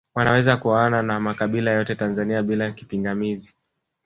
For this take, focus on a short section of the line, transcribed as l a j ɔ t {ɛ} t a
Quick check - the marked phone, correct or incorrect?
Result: correct